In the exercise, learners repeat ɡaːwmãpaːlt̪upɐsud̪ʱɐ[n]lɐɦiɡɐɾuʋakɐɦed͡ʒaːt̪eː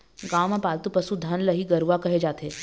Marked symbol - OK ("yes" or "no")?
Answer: yes